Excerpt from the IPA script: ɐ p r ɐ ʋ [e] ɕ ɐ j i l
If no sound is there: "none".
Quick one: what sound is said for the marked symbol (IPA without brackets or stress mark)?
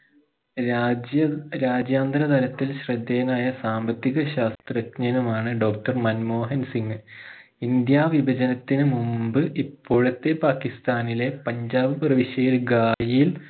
i